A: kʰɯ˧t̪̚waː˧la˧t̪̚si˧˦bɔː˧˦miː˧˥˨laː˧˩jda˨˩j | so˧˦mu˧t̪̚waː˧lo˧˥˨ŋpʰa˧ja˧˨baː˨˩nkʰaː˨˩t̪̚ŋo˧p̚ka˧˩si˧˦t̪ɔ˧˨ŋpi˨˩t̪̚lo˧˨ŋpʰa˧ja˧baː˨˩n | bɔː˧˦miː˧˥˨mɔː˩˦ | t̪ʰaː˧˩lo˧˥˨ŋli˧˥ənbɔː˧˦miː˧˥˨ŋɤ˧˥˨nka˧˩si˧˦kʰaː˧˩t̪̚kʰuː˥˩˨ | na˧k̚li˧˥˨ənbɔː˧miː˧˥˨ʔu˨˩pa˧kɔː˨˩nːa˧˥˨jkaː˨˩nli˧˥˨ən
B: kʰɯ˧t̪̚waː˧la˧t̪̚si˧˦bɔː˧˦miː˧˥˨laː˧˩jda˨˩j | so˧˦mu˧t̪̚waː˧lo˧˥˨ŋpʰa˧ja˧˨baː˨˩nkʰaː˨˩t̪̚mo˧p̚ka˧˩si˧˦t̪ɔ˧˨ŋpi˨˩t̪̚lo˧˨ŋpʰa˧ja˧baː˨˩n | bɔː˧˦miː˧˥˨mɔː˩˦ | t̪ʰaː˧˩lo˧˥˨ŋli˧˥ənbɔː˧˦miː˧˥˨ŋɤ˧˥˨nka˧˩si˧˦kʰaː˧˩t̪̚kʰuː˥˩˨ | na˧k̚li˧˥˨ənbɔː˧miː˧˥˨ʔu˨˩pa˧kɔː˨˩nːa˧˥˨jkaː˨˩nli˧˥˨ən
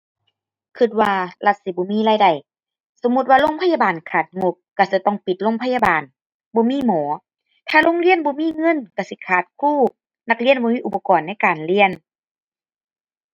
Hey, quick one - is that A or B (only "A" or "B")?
A